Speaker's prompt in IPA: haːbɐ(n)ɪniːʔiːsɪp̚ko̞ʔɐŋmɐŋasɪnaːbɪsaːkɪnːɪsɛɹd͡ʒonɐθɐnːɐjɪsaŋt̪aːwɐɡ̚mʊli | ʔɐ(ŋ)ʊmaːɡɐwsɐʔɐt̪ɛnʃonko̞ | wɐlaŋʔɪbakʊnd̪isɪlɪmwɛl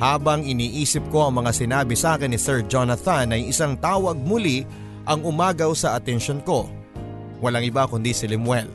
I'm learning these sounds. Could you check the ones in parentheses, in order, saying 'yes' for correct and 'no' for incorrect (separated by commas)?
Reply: no, yes